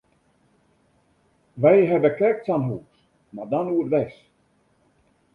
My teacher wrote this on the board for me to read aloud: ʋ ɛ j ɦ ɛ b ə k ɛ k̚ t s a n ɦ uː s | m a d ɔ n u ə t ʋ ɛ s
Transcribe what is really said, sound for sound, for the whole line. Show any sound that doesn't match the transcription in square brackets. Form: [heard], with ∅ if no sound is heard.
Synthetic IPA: ʋ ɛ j ɦ ɛ b ə k ɛ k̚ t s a n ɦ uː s | m a d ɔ n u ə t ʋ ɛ s